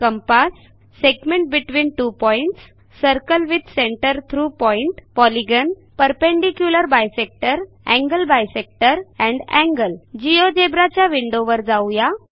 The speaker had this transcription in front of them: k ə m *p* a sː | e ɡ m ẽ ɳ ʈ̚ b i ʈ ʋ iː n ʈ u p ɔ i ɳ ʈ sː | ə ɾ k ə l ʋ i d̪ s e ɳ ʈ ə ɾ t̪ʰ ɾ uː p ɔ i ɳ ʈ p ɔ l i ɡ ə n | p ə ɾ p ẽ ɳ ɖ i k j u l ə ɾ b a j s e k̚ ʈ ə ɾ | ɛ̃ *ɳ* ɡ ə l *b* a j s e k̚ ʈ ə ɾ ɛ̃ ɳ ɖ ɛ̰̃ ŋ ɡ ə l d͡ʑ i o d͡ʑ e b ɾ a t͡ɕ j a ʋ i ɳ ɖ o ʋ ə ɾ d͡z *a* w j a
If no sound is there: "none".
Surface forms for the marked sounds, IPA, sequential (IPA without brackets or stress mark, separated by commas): p, ŋ, b, a